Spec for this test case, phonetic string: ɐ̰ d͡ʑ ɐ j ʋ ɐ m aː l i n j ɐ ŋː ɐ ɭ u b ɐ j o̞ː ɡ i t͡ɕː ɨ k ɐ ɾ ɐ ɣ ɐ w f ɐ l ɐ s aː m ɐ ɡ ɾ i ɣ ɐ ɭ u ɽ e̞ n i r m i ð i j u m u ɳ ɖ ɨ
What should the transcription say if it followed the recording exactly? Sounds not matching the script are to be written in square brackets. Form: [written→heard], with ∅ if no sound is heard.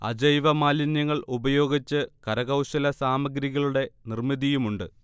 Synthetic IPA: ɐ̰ d͡ʑ ɐ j ʋ ɐ m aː l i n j ɐ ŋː ɐ ɭ u b ɐ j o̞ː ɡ i t͡ɕː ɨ k ɐ ɾ ɐ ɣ ɐ w [f→ɕ] ɐ l ɐ s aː m ɐ ɡ ɾ i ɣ ɐ ɭ u ɽ e̞ n i r m i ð i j u m u ɳ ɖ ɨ